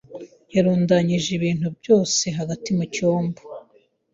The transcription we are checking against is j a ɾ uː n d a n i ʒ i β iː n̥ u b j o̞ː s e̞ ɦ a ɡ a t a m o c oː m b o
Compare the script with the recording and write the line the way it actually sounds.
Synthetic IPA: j a ɾ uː n d a ɲ i ʒ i β iː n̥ u b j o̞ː s e̞ ɦ a ɡ a t i m u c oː m b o